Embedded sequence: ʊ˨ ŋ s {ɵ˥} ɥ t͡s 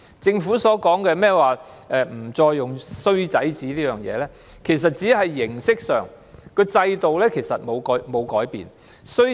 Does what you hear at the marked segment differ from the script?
no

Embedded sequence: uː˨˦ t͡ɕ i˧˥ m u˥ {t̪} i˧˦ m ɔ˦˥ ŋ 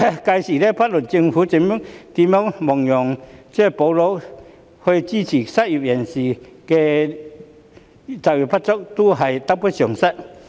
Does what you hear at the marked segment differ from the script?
no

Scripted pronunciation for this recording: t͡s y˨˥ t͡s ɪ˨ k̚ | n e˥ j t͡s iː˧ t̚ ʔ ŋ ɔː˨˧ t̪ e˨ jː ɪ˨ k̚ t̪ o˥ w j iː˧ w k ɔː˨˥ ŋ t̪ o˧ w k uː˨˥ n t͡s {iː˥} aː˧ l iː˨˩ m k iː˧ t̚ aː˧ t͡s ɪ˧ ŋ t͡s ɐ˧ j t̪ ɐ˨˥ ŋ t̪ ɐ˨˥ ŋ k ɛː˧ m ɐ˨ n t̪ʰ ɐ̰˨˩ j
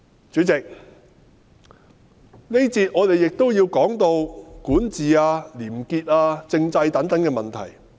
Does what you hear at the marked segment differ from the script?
yes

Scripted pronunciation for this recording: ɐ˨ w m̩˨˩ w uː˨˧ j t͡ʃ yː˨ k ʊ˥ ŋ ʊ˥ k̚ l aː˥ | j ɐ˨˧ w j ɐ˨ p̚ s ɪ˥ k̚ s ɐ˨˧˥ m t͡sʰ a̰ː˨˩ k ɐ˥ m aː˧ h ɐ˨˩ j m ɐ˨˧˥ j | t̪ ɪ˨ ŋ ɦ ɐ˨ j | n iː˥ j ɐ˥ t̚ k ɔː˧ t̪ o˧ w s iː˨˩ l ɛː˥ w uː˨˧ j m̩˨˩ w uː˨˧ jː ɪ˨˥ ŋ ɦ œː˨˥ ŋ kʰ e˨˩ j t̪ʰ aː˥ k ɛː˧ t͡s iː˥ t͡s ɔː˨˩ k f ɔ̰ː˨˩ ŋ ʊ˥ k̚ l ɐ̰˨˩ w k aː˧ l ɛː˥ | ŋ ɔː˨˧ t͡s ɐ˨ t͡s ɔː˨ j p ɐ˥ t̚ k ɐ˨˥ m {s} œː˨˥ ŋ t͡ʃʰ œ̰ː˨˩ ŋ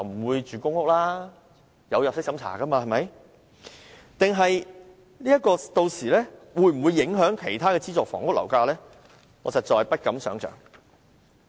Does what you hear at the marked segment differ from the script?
no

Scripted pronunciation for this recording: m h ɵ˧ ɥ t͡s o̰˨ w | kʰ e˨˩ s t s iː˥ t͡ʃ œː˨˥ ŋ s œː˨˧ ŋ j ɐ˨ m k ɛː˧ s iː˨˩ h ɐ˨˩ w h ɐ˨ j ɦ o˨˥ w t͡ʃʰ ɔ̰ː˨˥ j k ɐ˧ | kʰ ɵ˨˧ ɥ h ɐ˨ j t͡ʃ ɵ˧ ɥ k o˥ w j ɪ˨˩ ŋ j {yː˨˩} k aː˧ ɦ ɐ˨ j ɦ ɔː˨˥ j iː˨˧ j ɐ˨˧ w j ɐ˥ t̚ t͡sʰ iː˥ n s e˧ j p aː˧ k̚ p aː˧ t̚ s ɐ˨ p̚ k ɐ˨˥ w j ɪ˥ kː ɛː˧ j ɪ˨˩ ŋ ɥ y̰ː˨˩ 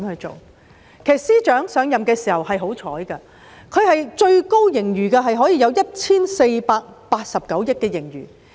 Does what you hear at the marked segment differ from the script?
no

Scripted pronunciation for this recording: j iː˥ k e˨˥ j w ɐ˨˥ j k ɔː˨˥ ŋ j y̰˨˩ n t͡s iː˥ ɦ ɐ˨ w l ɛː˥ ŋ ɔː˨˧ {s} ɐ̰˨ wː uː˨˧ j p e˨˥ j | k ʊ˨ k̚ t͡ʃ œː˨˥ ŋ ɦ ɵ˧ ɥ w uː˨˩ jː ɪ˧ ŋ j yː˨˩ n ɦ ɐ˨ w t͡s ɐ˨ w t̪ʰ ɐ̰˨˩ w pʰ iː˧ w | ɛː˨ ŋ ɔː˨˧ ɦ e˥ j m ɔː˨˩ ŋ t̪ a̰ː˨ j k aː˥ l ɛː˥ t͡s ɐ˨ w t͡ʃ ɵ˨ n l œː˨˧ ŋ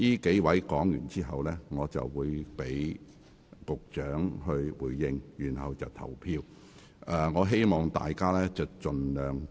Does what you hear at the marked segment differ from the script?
yes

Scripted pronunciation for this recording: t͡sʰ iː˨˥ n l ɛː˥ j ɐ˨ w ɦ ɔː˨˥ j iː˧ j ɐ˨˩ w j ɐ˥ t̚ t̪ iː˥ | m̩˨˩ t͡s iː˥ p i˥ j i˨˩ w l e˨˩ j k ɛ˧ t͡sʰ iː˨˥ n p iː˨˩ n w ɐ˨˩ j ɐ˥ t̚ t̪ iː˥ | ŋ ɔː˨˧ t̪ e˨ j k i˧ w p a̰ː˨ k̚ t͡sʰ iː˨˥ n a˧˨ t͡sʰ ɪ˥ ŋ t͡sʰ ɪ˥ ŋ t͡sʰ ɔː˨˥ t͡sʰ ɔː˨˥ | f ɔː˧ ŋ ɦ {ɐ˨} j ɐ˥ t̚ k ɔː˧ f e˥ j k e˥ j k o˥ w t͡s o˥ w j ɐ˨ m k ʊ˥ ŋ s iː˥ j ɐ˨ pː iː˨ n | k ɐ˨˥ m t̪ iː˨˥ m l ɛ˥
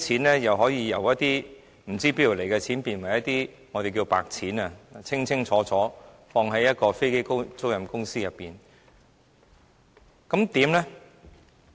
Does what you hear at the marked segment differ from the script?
yes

